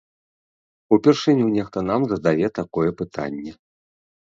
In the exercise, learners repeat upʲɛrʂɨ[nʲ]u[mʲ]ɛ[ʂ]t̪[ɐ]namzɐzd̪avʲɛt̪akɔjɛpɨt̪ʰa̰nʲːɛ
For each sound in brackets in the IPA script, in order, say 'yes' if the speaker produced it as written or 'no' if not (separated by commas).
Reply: yes, no, no, yes